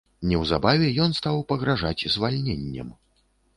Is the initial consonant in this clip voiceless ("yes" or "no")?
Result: no